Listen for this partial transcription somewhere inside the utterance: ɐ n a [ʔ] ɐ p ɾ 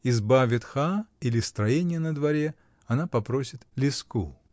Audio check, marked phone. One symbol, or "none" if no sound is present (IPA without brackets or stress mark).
p